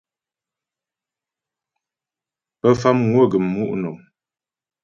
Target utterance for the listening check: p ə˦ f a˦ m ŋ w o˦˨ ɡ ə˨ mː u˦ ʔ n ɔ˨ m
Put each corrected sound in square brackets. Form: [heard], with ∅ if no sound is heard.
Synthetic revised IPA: p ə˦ f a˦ m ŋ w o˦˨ ɡ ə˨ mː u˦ ʔ n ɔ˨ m